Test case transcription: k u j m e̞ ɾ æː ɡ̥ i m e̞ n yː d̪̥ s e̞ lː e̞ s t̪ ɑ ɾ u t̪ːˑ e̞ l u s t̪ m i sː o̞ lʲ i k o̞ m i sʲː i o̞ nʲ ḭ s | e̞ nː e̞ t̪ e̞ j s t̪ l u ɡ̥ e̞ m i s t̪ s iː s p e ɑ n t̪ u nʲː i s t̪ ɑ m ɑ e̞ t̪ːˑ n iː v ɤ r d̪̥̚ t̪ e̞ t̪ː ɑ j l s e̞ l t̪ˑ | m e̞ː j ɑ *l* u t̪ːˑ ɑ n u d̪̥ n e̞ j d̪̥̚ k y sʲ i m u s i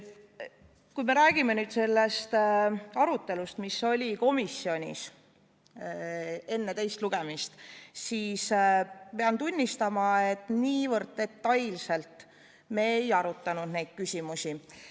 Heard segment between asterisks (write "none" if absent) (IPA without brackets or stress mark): ɾ